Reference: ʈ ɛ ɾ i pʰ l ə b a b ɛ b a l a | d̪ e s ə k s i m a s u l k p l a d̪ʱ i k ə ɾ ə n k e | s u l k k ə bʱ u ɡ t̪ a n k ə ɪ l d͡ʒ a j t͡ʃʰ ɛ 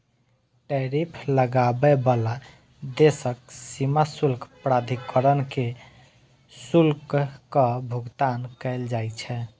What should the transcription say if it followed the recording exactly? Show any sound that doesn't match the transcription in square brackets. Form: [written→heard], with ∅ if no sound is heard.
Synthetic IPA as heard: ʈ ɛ ɾ i pʰ l ə [b→ɡ] a b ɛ b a l a | d̪ e s ə k s i m a s u l k p [l→ɾ] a d̪ʱ i k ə ɾ ə n k e | s u l k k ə bʱ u ɡ t̪ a n k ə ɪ l d͡ʒ a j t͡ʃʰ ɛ